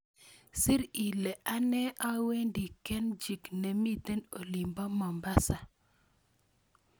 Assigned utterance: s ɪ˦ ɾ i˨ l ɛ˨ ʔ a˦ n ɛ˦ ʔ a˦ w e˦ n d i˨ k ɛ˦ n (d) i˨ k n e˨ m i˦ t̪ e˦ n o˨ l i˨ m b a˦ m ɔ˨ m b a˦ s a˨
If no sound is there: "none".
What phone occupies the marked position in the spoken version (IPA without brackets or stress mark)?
d͡ʒ